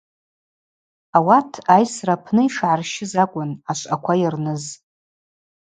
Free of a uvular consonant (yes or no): yes